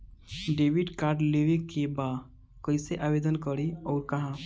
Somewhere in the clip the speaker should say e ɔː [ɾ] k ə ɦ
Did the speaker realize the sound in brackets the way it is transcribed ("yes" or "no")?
yes